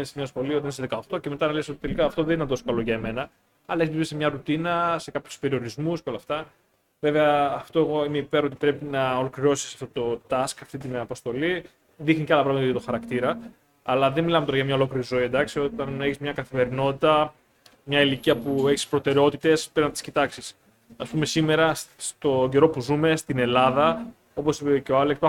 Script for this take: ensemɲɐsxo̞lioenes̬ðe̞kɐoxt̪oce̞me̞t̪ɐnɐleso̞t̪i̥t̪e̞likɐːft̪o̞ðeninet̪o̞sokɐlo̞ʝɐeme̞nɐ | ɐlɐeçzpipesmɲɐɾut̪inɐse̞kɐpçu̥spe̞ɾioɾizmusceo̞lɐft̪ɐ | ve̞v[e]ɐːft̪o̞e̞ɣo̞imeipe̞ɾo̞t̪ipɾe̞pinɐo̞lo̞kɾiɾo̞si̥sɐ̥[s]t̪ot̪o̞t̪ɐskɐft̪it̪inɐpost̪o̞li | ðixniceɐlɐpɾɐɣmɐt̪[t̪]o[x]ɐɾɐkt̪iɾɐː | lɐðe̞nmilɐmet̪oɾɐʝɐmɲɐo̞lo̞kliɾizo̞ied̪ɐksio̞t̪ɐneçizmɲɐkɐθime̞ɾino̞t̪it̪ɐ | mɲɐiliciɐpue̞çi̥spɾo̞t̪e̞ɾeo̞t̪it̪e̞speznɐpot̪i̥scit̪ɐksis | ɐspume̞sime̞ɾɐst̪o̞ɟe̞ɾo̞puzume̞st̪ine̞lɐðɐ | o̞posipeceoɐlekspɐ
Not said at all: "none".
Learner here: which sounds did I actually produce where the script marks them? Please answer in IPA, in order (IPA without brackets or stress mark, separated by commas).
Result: e, f, t̪, x